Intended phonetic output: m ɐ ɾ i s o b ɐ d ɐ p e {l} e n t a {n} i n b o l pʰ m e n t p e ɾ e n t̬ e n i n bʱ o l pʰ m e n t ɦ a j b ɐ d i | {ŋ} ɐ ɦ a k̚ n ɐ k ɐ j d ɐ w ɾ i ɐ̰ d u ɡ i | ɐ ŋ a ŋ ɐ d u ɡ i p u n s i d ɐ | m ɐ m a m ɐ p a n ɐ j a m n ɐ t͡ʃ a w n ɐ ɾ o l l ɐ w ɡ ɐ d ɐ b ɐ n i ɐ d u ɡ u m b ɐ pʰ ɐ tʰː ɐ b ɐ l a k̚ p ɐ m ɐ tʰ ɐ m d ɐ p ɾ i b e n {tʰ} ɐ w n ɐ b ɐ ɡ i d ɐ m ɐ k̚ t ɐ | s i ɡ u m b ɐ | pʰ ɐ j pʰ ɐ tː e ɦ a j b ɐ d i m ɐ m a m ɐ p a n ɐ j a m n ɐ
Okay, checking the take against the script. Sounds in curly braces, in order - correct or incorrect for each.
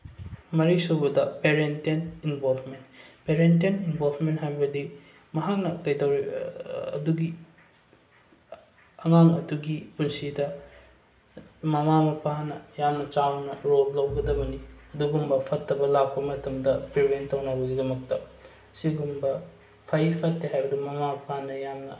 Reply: incorrect: ɾ, correct, incorrect: m, incorrect: t

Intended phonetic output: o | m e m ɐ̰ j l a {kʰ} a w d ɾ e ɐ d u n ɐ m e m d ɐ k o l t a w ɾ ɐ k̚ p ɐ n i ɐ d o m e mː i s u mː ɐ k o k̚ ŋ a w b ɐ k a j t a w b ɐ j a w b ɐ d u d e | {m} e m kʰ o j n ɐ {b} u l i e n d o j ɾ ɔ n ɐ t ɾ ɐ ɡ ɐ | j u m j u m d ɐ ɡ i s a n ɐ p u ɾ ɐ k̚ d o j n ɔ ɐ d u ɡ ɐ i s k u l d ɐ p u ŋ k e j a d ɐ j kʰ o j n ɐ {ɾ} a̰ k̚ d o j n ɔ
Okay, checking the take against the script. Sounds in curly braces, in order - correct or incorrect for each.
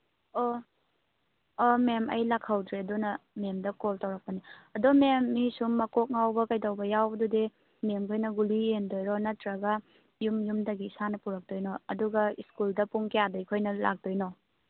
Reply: correct, correct, incorrect: ɡ, incorrect: l

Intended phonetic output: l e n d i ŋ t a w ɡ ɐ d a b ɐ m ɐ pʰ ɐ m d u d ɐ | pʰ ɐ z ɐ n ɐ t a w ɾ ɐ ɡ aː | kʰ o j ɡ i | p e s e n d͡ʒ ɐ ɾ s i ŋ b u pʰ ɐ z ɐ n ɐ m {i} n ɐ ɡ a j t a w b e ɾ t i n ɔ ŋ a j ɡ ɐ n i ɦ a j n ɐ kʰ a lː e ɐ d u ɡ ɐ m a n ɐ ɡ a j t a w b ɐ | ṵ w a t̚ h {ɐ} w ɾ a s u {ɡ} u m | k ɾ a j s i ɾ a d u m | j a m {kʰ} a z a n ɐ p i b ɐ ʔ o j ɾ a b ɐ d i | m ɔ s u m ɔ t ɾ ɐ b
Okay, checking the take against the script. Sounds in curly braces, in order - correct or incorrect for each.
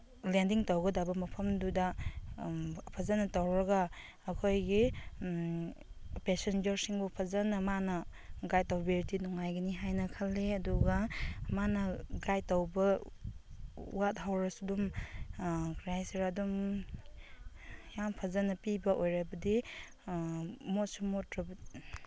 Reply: incorrect: a, incorrect: a, incorrect: d, incorrect: pʰ

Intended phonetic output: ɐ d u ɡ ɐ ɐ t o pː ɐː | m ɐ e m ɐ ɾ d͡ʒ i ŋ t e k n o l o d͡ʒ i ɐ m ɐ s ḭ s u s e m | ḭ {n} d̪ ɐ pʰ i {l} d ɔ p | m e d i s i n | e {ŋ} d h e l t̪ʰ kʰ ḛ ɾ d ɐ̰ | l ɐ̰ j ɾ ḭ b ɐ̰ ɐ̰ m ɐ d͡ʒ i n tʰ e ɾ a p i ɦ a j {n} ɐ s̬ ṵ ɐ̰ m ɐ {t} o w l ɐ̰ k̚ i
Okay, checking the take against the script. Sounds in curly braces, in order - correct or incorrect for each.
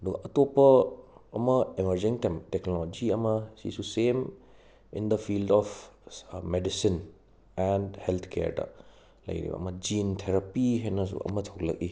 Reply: correct, correct, incorrect: n, correct, incorrect: tʰ

